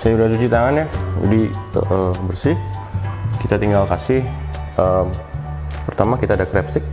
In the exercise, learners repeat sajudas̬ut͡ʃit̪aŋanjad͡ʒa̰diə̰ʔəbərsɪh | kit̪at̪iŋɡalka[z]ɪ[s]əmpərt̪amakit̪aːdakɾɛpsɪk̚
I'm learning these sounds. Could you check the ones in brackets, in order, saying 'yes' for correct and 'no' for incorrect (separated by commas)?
no, no